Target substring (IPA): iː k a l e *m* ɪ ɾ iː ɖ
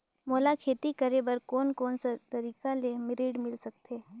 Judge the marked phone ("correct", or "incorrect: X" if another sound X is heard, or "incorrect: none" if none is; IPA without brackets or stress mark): correct